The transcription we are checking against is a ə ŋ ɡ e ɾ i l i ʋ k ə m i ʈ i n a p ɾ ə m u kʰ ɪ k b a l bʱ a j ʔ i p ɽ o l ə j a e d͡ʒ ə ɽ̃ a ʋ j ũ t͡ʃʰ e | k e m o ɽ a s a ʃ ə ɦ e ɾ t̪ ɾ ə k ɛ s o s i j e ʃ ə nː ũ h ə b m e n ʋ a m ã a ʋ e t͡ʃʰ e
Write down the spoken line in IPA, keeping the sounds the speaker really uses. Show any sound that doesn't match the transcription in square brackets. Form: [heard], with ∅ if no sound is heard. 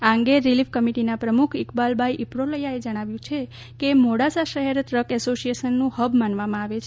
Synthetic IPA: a ə ŋ ɡ e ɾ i l i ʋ k ə m i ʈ i n a p ɾ ə m u kʰ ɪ k b a l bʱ a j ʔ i p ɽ o l ə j a e d͡ʒ ə ɽ̃ a ʋ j ũ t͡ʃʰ e | k e m o ɽ a s a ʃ ə ɦ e ɾ t̪ ɾ ə k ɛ s o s i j e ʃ ə nː ũ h ə b m [a] n ʋ a m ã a ʋ e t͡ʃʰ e